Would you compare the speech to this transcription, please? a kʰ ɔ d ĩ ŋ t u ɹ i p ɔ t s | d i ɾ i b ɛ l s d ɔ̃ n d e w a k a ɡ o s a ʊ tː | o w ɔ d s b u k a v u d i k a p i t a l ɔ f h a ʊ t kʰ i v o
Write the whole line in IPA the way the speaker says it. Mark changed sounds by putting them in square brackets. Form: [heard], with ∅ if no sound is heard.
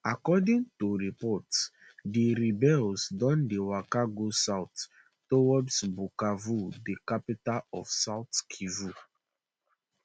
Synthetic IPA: a [k] ɔ d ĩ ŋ t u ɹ i p ɔ t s | d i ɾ i b ɛ l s d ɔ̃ n d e w a k a ɡ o s a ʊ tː | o w ɔ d s b u k a v u d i k a p i t a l ɔ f [s] a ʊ t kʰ i v [u]